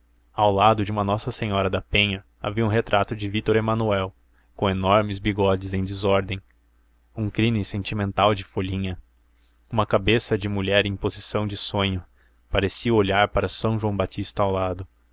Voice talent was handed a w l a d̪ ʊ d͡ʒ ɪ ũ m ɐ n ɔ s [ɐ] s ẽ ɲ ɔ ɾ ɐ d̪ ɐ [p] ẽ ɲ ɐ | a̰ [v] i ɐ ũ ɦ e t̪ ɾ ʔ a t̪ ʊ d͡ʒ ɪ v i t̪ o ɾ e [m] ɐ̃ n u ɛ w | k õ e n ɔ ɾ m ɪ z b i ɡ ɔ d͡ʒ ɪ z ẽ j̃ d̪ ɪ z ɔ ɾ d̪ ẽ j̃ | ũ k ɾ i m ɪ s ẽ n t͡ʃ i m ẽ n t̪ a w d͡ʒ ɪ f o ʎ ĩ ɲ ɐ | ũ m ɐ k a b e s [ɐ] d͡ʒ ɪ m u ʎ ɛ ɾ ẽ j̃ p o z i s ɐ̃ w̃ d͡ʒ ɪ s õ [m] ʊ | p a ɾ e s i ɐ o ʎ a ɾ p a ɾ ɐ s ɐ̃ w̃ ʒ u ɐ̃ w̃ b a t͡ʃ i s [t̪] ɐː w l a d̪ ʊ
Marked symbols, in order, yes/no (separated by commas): yes, yes, yes, yes, yes, no, yes